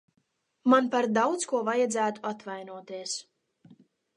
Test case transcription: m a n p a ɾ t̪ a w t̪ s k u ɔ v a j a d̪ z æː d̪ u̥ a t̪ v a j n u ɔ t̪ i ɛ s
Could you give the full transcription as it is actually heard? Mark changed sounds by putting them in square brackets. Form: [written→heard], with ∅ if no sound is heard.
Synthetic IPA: m a n p a ɾ [t̪→d̪] a w t̪ s k u ɔ v a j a d̪ z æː [d̪→t̪] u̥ a t̪ v a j n u ɔ t̪ i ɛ s

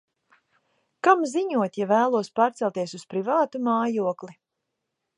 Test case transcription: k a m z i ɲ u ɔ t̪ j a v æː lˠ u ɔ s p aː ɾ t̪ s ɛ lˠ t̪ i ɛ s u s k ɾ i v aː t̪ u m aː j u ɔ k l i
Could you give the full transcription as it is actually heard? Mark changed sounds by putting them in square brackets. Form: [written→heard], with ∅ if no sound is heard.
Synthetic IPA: k a m z i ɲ u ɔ t̪ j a v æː lˠ u ɔ s p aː ɾ t̪ s ɛ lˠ t̪ i ɛ s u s [k→p] ɾ i v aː t̪ u m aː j u ɔ k l i

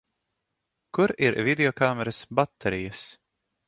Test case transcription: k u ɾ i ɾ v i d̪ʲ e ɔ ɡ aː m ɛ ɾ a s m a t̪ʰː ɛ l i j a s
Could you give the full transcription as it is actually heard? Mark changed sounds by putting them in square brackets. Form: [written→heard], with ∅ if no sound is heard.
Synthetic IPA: k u ɾ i ɾ v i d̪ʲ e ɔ [ɡ→k] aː m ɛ ɾ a s [m→b] a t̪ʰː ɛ [l→ɾ] i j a s

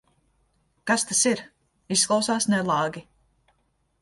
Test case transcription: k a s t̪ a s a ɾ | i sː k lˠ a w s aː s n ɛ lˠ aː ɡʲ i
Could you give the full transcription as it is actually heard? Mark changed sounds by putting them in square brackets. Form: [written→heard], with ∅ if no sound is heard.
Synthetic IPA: k a s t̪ a s [a→i] ɾ | i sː k lˠ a w s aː s n ɛ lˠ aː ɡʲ i

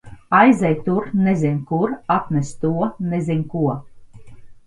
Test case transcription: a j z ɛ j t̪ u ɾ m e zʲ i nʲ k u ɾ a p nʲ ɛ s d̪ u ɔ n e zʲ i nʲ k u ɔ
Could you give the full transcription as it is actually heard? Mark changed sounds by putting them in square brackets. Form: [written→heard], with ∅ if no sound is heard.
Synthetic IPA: a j z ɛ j t̪ u ɾ [m→n] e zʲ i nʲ k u ɾ a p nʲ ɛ s [d̪→t̪] u ɔ n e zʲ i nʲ k u ɔ

